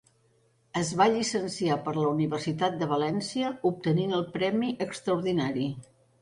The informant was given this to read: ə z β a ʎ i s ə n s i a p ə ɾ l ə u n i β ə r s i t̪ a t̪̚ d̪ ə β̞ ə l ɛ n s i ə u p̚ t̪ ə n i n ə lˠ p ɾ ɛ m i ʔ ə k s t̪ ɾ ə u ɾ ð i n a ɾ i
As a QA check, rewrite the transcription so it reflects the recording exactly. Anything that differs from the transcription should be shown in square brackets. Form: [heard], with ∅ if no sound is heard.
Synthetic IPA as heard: ə z β a ʎ i s ə n s i a p ə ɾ l ə u n i β ə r s i t̪ a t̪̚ d̪ ə β̞ ə l ɛ n s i ə u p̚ t̪ ə n i n ə lˠ p ɾ ɛ m i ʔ ə k s t̪ ɾ ə u ɾ ð i n a ɾ i